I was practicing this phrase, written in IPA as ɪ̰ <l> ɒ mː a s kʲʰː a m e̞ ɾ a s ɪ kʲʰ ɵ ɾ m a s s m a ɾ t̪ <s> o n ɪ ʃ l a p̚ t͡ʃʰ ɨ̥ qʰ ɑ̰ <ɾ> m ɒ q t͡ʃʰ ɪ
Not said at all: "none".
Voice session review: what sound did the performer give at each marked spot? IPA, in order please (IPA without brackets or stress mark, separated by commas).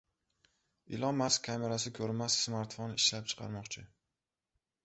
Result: l, f, ɾ